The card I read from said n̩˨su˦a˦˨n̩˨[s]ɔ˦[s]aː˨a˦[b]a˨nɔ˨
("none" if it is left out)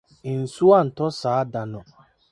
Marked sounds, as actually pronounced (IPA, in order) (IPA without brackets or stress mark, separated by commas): t, s, d